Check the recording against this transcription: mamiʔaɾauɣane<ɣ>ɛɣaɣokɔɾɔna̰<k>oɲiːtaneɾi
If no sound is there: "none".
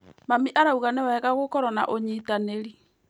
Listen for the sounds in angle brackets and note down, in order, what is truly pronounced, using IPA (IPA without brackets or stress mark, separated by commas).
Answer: w, ʔ